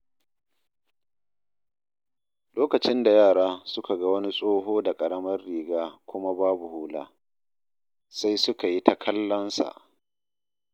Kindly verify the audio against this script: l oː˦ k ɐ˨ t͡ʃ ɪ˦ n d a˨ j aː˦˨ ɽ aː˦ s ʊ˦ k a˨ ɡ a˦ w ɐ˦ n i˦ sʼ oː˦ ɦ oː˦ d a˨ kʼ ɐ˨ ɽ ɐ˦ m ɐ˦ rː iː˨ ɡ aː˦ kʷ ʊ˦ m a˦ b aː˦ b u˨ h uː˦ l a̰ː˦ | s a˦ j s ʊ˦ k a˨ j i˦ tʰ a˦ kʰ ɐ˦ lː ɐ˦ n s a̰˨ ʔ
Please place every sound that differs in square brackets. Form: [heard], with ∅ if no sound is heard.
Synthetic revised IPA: l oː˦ k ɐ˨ t͡ʃ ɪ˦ n d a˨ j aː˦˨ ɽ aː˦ s ʊ˦ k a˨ ɡ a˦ w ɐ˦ n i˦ sʼ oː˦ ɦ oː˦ d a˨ kʼ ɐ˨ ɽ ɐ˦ m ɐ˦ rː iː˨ ɡ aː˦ kʷ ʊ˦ m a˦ b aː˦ b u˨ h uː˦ l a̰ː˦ | s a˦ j s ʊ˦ k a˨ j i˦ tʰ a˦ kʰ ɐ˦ lː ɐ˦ n s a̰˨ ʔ